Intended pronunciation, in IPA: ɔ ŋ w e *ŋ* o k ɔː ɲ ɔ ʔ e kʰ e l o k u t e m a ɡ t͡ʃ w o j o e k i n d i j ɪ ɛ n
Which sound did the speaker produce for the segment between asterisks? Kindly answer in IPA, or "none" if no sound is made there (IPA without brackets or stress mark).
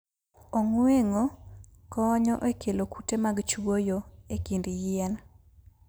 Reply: ŋ